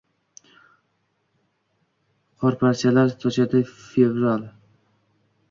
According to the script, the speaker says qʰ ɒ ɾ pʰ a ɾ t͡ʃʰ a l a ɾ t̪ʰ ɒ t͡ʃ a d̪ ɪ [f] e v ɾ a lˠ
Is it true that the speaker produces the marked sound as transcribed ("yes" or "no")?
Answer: yes